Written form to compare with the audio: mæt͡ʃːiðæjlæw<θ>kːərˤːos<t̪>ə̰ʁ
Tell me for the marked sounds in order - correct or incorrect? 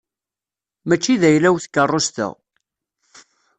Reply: correct, correct

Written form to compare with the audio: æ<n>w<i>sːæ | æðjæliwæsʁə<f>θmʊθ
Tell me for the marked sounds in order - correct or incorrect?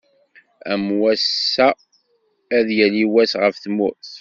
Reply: incorrect, incorrect, correct

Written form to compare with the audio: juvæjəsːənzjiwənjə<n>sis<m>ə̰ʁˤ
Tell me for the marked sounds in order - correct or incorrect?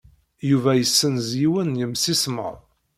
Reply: incorrect, correct

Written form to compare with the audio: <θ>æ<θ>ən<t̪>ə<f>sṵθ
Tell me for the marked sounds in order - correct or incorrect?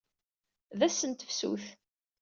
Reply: incorrect, incorrect, correct, correct

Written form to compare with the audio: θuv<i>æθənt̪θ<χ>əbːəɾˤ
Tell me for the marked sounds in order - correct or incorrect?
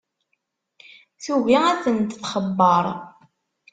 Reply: correct, correct

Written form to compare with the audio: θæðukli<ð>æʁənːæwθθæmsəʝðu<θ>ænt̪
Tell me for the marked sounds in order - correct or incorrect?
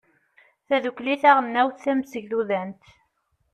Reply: incorrect, incorrect

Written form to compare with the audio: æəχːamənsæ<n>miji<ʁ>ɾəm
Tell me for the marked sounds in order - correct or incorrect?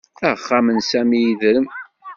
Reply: incorrect, incorrect

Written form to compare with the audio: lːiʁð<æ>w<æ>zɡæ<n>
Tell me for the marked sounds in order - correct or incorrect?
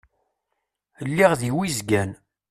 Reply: incorrect, incorrect, correct

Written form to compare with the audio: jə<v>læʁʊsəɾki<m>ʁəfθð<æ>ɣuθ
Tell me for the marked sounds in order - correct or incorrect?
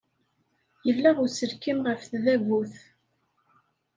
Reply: correct, correct, correct

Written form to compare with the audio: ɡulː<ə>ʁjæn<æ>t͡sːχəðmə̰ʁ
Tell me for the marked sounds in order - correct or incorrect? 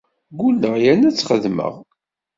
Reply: correct, correct

